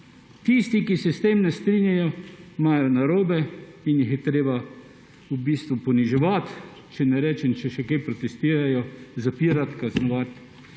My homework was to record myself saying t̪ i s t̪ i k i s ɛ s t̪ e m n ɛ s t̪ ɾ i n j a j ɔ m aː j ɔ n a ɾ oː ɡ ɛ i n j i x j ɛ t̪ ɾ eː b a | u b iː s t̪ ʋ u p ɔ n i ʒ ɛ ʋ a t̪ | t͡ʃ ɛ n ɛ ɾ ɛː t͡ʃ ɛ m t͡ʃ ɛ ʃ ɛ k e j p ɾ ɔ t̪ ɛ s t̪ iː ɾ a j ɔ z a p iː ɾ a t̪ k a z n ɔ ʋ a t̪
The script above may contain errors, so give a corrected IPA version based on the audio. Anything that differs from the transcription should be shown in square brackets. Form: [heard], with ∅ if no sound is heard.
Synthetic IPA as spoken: t̪ i s t̪ i k i s ɛ s t̪ e m n ɛ s t̪ ɾ i n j a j ɔ m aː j ɔ n a ɾ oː [b] ɛ i n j i x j ɛ t̪ ɾ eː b a | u b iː s t̪ ʋ u p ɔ n i ʒ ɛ ʋ a t̪ | t͡ʃ ɛ n ɛ ɾ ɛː t͡ʃ ɛ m t͡ʃ ɛ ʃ ɛ k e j p ɾ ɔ t̪ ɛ s t̪ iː ɾ a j ɔ z a p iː ɾ a t̪ k a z n ɔ ʋ a t̪